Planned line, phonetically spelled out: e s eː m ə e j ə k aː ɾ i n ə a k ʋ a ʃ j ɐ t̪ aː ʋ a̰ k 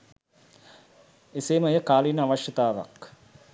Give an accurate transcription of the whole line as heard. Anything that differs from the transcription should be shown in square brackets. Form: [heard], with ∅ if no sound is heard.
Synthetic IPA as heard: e s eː m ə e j ə k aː [l] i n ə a [∅] ʋ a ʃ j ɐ t̪ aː ʋ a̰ k